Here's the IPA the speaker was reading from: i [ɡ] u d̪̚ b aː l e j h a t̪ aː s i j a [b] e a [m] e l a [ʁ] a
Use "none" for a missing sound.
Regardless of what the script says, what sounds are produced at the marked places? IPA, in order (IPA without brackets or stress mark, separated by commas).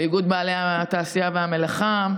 ɡ, v, m, χ